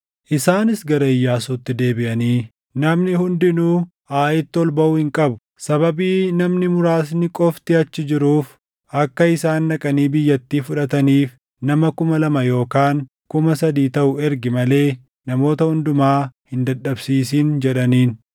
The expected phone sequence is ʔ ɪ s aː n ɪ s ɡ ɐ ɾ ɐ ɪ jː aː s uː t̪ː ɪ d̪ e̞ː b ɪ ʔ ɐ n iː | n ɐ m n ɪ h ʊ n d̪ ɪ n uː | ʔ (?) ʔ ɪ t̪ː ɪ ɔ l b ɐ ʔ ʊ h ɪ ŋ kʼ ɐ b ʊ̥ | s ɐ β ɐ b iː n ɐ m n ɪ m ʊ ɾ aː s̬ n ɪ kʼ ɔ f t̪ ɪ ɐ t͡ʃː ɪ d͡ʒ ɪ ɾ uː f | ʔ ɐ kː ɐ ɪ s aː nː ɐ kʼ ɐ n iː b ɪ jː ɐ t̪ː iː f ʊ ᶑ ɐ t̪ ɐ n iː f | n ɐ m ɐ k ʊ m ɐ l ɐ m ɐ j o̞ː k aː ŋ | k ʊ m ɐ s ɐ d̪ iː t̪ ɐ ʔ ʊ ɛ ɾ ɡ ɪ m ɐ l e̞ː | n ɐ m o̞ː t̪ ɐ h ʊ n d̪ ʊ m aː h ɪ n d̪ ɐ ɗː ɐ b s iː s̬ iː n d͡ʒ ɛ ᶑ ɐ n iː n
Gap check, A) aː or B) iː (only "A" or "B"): A